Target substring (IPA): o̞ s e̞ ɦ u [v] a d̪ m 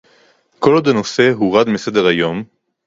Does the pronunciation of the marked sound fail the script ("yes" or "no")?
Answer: yes